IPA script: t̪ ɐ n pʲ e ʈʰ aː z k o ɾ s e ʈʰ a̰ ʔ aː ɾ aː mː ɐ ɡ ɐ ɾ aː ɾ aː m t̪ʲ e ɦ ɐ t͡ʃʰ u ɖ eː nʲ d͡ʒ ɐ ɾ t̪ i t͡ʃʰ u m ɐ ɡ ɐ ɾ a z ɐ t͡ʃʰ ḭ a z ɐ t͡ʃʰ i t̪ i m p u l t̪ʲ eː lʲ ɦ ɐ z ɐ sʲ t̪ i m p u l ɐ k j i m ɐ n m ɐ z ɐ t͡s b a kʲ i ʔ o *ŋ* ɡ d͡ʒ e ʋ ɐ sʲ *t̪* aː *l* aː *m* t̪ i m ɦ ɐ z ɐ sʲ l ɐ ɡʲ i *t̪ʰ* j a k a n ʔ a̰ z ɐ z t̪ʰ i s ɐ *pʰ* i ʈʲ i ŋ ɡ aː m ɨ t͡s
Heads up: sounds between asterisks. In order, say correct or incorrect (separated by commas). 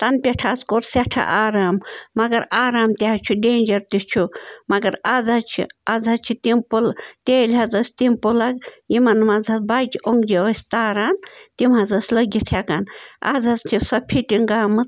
correct, correct, incorrect, incorrect, correct, correct